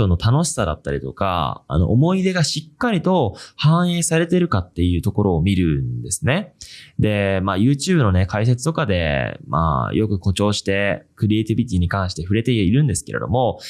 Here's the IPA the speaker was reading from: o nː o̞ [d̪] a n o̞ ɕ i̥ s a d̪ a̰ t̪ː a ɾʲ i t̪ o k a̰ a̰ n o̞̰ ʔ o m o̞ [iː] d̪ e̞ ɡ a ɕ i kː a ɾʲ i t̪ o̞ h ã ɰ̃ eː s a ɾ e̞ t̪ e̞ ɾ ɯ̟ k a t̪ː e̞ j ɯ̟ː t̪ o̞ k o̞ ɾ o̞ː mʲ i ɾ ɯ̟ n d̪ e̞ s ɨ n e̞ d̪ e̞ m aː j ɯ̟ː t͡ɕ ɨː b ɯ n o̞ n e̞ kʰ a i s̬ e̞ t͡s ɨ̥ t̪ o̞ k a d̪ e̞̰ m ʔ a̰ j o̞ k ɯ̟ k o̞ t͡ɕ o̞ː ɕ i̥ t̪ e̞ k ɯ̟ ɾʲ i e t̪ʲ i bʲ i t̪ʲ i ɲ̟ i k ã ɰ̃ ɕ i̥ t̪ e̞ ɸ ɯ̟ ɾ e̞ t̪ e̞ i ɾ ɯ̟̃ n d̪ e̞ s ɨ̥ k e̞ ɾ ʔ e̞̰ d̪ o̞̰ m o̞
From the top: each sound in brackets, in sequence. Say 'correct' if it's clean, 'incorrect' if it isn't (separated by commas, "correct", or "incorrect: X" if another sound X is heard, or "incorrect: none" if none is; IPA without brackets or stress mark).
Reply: incorrect: t̪, incorrect: i